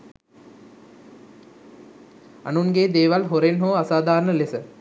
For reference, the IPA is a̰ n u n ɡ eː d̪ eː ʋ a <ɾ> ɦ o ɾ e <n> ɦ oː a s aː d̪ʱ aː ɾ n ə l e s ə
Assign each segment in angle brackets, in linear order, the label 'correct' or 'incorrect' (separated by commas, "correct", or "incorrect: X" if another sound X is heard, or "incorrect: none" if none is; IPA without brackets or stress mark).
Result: incorrect: l, correct